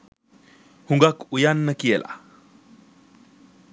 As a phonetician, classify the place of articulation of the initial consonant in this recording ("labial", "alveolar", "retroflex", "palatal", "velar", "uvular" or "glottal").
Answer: glottal